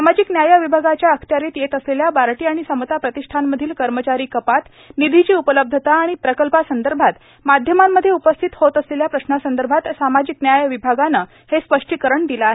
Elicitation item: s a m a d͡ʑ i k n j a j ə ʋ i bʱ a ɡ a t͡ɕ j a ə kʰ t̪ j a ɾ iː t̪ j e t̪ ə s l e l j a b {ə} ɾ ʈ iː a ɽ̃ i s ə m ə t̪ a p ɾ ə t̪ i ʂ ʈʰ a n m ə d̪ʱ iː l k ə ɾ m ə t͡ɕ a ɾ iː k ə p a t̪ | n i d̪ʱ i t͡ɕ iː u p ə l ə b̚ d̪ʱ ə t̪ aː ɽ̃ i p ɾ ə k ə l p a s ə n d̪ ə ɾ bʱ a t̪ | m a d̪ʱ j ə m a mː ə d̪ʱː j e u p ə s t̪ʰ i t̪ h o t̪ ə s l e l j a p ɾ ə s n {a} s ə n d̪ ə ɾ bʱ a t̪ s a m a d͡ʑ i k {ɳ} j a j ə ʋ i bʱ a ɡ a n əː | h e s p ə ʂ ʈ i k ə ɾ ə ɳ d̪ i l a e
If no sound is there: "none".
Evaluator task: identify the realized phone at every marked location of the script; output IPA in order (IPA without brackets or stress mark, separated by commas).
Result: a, a, n